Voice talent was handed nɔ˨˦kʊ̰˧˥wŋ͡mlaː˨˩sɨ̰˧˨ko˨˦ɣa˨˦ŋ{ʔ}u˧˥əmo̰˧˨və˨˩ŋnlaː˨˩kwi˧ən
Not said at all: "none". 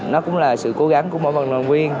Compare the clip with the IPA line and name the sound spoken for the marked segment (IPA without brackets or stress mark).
k